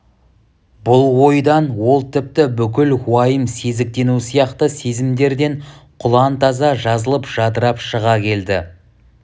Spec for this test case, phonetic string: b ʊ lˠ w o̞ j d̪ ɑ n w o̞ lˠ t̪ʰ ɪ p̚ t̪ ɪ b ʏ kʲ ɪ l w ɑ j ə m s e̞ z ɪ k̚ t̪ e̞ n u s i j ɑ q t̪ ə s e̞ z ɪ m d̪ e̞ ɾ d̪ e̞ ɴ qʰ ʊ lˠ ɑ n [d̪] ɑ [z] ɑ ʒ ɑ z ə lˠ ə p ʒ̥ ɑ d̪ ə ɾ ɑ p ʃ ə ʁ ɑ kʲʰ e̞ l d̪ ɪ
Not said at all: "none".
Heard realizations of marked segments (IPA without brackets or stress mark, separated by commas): t̪, z